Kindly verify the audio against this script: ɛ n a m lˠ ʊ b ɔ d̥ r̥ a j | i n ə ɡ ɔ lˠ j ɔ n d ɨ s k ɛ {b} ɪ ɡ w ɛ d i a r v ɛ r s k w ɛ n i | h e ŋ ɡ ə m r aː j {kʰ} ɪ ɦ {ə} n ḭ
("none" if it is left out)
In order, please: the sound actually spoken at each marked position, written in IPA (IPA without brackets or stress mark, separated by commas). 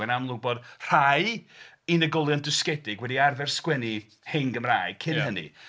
d, kʰ, ə